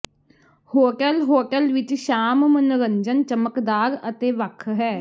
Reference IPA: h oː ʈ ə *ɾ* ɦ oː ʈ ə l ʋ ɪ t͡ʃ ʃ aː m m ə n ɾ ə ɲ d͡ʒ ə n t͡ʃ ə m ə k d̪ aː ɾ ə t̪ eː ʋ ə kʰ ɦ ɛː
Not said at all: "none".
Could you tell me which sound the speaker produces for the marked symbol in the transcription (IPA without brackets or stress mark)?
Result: l